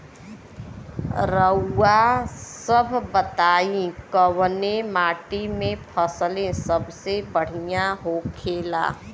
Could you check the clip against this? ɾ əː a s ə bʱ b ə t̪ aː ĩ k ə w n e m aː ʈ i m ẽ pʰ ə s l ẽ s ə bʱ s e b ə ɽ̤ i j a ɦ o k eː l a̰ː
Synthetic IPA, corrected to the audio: ɾ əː a s ə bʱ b ə t̪ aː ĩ k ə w n e m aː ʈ i m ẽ pʰ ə s l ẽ s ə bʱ s e b ə ɽ̤ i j a ɦ o kʰ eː l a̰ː